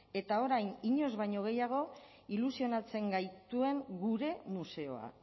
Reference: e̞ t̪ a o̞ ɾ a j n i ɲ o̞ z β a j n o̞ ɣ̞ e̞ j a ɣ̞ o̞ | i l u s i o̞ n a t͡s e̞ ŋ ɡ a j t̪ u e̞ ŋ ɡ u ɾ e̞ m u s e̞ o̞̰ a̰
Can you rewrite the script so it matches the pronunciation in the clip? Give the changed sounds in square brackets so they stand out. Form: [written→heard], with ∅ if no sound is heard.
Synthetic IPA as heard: e̞ t̪ a o̞ ɾ a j n i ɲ o̞ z β a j [n→ɲ] o̞ ɣ̞ e̞ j a ɣ̞ o̞ | i l u s i o̞ n a t͡s e̞ ŋ ɡ a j t̪ u e̞ ŋ ɡ u ɾ e̞ m u s e̞ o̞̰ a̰